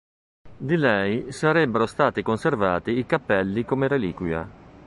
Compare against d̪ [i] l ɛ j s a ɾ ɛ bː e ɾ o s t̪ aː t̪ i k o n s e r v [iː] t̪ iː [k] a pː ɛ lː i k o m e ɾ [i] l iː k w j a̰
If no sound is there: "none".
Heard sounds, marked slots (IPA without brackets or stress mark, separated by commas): i, aː, k, e